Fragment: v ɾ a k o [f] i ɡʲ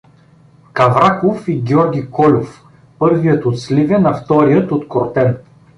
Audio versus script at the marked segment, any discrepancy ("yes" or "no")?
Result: no